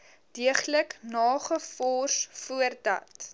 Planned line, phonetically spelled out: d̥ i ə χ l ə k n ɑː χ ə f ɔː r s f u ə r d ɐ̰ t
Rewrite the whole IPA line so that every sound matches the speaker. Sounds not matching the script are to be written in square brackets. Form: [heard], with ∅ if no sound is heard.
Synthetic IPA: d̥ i ə χ l ə k n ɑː χ ə f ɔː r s f u ə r d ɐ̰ t